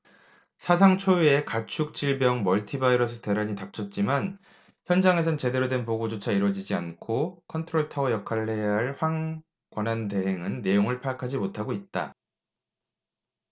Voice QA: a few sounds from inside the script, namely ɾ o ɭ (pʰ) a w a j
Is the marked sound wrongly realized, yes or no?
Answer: yes